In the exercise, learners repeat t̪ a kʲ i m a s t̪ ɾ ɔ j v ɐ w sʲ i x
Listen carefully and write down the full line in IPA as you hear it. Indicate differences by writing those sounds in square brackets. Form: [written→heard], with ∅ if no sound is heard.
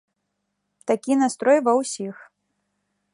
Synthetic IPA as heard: t̪ a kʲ i [m→n] a s t̪ ɾ ɔ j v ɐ w sʲ i x